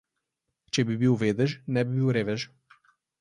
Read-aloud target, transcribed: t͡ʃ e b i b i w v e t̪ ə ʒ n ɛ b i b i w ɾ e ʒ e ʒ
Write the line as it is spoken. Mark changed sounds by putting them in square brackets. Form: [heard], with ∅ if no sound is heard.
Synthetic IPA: t͡ʃ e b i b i w v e [d̪] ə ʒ n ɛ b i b i w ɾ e [v] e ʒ